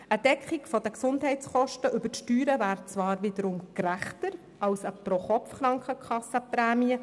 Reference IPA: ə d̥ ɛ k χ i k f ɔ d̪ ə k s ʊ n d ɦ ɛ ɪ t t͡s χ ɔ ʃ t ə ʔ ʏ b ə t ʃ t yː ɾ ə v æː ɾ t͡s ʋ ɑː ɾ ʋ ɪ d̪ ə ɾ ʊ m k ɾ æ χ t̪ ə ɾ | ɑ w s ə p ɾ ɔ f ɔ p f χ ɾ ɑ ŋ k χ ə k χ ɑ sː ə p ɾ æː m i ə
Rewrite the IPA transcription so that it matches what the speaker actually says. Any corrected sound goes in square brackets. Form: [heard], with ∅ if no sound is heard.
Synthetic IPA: ə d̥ ɛ k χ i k f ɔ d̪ ə k s ʊ n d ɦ ɛ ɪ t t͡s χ ɔ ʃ t ə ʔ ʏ b ə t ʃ t yː ɾ ə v æː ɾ t͡s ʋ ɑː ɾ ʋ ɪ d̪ ə ɾ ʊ m k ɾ æ χ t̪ ə ɾ | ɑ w s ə p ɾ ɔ [χ] ɔ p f χ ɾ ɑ ŋ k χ ə k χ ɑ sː ə p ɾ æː m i ə